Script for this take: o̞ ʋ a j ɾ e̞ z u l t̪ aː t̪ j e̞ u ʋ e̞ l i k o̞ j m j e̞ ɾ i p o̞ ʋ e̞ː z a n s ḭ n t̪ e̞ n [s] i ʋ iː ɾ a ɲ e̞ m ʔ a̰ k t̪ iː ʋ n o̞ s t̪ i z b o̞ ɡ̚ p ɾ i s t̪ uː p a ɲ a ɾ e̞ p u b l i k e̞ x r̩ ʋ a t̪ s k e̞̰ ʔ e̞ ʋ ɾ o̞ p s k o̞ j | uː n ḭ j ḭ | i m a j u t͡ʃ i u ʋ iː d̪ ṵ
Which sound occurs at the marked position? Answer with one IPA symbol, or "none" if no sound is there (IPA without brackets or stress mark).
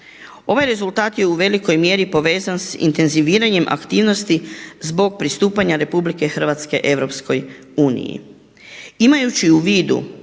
z